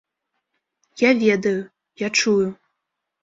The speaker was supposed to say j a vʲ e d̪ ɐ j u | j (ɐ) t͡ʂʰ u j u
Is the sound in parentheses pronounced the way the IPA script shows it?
no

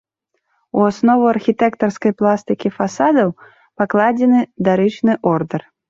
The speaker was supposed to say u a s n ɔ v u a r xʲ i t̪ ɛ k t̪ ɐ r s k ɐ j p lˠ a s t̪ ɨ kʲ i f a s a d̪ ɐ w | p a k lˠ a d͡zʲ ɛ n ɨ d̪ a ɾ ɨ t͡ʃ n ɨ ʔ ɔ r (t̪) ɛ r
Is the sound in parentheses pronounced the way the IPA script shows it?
no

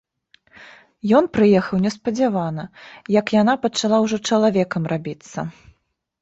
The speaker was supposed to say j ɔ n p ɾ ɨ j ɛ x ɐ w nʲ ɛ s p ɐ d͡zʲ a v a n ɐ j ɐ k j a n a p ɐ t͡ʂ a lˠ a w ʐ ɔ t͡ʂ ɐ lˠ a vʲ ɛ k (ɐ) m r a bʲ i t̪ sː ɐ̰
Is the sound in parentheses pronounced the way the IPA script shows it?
yes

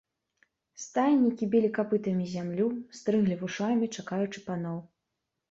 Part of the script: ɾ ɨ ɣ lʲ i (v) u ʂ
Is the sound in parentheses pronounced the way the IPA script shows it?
yes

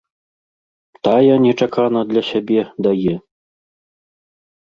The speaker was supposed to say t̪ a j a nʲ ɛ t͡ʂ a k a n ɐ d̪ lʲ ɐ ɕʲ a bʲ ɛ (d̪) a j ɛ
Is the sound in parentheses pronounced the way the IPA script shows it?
yes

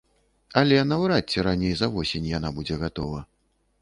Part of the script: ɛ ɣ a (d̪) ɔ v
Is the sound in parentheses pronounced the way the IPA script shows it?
no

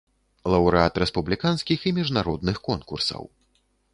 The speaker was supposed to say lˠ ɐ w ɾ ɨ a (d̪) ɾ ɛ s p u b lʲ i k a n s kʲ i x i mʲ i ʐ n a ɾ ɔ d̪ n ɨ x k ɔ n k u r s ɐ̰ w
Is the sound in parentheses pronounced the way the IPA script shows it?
no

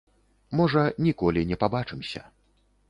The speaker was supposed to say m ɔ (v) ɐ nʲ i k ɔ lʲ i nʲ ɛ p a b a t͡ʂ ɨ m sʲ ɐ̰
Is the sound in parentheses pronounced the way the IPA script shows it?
no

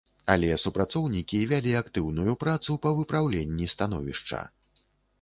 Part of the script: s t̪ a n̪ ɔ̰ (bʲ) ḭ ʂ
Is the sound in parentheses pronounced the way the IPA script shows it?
no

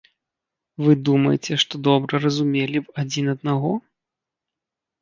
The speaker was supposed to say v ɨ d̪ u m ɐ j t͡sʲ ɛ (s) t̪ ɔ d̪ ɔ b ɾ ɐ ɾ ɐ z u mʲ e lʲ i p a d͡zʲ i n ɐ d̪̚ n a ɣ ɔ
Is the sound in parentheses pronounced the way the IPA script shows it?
no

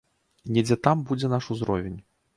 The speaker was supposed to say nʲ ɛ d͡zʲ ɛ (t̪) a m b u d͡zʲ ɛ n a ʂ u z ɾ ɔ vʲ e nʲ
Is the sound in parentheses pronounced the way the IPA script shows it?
yes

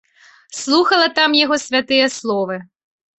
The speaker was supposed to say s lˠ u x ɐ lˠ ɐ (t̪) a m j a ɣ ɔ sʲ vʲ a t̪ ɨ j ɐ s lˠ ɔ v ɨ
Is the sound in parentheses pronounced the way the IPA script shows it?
yes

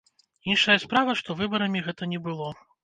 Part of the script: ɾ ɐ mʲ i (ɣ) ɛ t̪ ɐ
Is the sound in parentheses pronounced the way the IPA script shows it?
yes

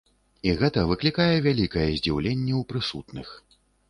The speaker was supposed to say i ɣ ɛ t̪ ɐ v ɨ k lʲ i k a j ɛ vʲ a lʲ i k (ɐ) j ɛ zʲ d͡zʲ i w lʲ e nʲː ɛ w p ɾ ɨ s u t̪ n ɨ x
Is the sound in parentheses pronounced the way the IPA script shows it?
yes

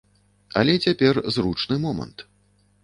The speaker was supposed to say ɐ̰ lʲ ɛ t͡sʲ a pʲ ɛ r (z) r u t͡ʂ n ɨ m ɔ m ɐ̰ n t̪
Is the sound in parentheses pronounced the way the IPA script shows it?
yes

